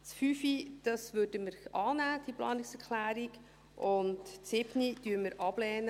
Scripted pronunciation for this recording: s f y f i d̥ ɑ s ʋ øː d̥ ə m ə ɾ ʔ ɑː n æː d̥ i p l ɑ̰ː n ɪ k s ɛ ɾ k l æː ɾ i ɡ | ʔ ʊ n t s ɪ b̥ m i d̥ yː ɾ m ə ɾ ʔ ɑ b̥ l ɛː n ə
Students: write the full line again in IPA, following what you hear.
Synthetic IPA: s f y f i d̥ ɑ s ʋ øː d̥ ə m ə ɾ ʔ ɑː n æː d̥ i p l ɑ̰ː n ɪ k s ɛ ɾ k l æː ɾ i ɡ | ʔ ʊ n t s ɪ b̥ n i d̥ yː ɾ m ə ɾ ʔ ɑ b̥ l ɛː n ə